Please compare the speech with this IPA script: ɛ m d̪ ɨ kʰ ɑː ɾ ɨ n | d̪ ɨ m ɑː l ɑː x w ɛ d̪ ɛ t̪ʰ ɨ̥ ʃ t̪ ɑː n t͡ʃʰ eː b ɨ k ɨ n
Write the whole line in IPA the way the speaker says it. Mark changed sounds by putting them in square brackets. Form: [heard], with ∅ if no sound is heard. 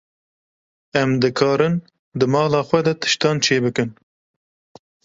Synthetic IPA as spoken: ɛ m d̪ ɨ kʰ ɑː ɾ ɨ n | d̪ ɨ m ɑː l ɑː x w ɛ d̪ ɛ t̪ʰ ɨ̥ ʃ t̪ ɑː n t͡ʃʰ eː b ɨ k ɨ n